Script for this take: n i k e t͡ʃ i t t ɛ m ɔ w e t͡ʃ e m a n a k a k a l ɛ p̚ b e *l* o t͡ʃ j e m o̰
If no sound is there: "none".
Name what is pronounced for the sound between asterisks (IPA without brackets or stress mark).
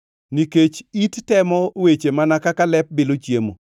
l